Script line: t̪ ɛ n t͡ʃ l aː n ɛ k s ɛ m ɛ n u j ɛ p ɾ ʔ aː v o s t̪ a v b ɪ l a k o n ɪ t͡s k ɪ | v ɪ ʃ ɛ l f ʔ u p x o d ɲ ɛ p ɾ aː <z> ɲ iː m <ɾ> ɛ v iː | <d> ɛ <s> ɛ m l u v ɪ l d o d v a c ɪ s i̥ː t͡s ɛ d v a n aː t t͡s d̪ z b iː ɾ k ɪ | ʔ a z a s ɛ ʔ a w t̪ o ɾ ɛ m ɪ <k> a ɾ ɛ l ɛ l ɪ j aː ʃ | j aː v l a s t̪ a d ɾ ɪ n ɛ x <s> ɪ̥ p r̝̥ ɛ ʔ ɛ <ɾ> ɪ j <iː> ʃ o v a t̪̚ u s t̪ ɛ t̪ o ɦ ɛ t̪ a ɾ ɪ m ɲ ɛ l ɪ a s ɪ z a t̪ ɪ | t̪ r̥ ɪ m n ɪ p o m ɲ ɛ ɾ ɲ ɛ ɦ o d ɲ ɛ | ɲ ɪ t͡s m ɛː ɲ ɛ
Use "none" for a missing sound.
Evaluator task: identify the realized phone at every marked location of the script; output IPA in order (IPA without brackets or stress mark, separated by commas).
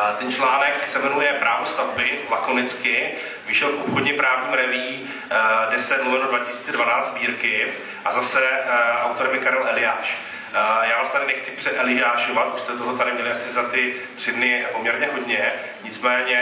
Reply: v, ɾ, d, s, k, t͡s, l, aː